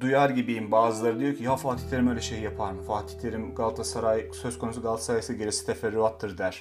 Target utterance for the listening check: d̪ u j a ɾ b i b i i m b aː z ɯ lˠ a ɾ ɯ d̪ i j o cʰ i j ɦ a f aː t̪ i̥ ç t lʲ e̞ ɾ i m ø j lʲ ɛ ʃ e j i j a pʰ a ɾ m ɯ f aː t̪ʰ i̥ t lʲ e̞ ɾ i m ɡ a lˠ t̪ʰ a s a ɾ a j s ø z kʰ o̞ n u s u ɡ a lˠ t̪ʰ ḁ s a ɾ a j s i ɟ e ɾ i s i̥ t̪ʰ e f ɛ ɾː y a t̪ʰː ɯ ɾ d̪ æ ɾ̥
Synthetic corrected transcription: d̪ u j a ɾ ɟ i b i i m b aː z ɯ lˠ a ɾ ɯ d̪ i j o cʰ i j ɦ a f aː t̪ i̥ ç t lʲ e̞ ɾ i m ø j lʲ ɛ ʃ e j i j a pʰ a ɾ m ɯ f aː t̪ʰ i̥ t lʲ e̞ ɾ i m ɡ a lˠ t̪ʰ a s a ɾ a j s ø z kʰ o̞ n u s u ɡ a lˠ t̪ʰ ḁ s a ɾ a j s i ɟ e ɾ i s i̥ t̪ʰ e f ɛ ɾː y a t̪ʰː ɯ ɾ d̪ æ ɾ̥